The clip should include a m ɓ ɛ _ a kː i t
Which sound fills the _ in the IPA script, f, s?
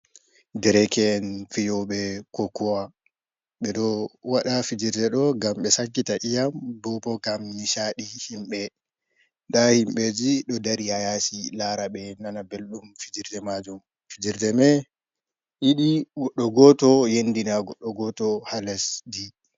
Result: s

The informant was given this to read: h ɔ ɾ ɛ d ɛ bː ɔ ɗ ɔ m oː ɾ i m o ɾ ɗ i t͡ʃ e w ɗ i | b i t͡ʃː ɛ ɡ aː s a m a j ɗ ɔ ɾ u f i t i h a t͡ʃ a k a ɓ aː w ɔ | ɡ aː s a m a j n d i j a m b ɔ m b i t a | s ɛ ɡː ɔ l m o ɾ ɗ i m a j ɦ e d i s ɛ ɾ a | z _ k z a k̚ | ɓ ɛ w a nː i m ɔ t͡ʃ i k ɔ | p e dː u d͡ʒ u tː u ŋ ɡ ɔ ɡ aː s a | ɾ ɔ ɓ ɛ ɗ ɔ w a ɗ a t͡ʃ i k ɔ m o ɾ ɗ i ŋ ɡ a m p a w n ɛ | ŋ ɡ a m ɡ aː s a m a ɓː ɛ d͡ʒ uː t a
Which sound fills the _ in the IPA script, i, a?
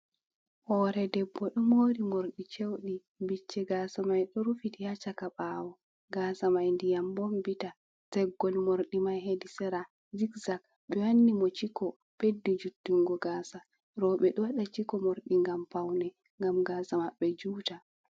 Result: i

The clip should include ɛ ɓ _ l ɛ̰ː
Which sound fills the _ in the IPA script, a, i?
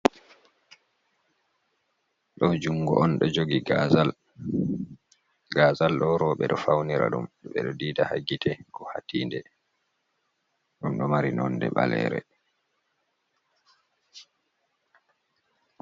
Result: a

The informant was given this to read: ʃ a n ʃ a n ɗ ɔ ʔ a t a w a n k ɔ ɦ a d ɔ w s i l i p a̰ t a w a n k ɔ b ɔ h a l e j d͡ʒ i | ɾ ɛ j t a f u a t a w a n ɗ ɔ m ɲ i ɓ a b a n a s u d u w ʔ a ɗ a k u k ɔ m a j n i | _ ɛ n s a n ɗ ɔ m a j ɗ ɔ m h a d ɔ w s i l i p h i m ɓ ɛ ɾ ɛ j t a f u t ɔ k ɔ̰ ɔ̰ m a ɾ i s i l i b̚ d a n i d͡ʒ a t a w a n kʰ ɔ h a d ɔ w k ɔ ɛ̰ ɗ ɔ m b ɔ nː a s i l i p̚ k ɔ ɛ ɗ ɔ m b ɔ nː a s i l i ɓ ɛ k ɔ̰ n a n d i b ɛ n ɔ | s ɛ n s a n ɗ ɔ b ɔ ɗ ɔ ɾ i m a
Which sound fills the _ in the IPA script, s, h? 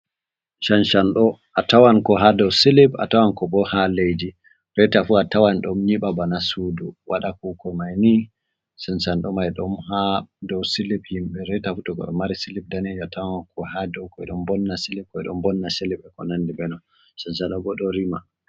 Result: s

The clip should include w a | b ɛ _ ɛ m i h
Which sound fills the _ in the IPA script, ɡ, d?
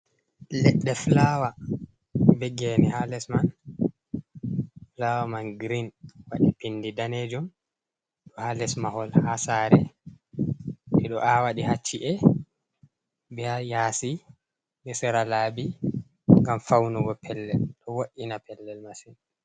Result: ɡ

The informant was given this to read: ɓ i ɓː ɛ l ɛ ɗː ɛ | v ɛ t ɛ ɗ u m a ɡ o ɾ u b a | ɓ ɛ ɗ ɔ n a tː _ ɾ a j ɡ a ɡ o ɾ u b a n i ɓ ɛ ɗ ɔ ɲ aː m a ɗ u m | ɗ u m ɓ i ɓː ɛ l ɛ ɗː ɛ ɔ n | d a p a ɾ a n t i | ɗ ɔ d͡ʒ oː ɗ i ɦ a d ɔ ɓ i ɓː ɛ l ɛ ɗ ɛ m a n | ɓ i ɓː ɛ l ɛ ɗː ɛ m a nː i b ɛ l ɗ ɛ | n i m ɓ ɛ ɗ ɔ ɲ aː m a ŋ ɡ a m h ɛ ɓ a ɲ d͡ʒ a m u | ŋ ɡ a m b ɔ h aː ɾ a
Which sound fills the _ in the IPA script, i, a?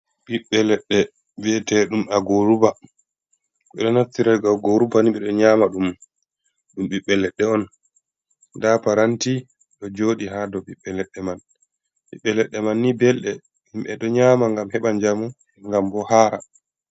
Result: i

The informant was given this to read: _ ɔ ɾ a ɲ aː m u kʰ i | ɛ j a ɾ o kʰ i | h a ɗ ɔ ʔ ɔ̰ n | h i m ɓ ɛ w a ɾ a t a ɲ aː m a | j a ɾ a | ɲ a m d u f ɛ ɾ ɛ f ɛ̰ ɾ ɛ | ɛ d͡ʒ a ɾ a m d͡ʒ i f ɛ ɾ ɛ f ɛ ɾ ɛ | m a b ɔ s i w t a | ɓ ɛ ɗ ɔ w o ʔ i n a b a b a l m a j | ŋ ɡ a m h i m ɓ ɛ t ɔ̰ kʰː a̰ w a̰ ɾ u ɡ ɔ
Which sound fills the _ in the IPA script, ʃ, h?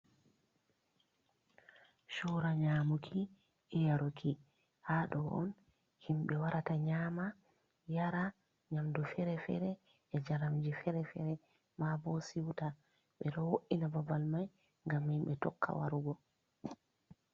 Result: ʃ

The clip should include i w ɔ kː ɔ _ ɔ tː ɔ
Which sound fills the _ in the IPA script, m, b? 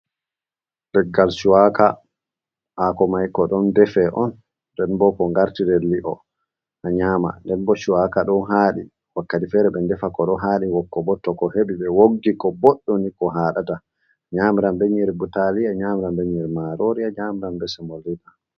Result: b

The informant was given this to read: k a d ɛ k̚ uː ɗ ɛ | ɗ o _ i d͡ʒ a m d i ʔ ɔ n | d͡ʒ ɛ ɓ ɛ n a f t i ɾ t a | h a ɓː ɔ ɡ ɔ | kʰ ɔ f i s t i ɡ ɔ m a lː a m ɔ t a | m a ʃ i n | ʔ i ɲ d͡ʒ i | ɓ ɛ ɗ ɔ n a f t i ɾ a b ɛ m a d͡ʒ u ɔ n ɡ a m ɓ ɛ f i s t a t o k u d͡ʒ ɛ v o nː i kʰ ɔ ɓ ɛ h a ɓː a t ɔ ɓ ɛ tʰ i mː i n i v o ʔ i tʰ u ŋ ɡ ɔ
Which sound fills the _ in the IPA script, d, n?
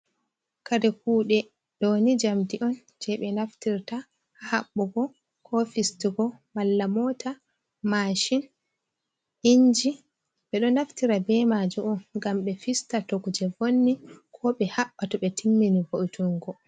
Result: n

